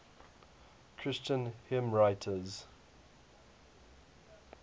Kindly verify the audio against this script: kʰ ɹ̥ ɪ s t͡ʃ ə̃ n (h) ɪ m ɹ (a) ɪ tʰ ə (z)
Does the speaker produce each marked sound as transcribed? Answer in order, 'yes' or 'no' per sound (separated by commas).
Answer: yes, yes, yes